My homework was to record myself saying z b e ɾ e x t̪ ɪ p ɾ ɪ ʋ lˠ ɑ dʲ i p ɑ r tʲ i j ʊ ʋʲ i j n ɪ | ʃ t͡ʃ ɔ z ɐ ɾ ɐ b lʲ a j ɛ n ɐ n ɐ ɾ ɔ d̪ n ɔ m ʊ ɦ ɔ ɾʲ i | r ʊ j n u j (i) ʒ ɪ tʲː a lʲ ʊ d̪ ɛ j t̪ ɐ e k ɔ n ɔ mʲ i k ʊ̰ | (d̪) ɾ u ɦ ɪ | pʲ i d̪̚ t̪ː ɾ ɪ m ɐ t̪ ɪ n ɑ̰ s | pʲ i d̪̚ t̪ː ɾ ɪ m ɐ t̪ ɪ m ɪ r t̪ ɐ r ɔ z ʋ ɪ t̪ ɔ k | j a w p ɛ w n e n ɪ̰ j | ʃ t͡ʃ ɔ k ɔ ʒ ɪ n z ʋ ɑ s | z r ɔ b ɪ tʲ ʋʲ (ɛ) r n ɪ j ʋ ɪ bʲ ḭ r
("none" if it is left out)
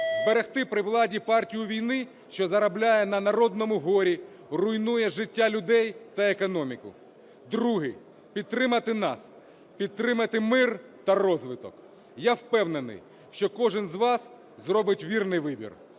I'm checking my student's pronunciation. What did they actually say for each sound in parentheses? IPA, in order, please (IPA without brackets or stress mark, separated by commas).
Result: ɛ, d̪, i